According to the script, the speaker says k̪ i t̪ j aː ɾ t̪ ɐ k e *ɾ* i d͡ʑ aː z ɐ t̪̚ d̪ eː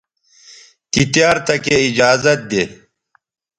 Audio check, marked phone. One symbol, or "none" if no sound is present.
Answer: none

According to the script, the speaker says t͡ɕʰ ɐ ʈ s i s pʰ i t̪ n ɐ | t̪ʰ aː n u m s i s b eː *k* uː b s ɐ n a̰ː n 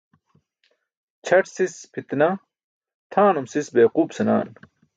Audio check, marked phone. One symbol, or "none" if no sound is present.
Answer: q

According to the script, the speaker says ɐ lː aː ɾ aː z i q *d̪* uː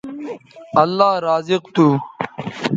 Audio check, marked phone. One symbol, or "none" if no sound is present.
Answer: t̪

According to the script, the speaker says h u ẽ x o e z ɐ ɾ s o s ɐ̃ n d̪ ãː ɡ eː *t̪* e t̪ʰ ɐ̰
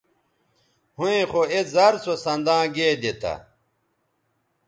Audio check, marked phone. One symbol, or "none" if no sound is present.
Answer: d̪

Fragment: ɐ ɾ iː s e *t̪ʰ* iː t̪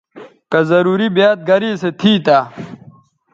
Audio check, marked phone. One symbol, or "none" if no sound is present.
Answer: t̪ʰ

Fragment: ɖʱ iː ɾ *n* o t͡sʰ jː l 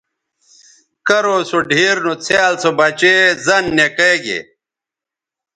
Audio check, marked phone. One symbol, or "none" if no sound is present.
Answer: n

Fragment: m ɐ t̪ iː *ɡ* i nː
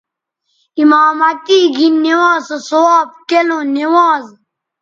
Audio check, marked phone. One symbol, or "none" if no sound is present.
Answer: ɡ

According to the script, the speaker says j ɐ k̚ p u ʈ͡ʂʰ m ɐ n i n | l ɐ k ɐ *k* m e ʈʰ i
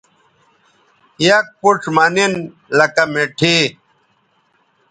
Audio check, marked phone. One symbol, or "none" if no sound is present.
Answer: none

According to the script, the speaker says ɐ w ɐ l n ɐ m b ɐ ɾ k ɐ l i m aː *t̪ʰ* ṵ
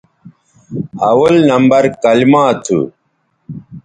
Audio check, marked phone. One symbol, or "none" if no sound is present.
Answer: t̪ʰ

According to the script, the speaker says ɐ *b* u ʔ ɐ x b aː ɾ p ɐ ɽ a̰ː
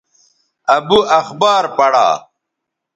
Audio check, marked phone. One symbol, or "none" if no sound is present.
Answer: b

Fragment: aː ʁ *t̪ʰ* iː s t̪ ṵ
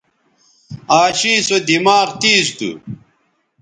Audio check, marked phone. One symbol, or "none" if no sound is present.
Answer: t̪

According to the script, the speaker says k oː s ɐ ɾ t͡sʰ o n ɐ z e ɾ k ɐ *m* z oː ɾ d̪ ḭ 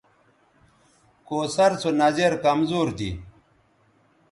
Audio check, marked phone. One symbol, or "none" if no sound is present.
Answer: m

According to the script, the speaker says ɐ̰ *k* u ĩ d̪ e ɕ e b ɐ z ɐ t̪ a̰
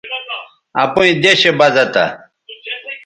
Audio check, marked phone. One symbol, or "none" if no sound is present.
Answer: p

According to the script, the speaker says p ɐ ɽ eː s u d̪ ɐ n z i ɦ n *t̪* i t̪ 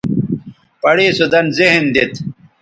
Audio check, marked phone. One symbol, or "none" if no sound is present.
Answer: d̪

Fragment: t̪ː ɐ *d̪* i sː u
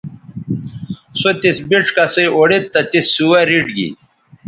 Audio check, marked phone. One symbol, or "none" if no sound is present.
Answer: t̪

